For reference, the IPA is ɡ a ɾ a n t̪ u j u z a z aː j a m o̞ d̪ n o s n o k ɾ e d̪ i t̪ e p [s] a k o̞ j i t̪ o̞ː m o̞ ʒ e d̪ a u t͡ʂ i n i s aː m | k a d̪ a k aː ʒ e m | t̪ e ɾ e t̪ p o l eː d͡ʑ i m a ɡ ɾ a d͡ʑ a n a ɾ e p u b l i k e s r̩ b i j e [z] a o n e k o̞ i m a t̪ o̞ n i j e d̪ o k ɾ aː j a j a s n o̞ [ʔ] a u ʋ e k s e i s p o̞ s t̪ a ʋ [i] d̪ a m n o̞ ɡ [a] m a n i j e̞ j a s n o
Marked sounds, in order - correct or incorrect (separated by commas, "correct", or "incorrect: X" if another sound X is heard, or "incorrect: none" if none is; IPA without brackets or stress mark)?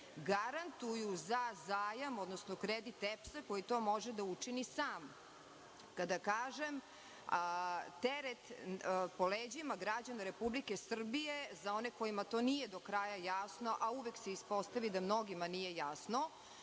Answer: correct, correct, correct, correct, incorrect: i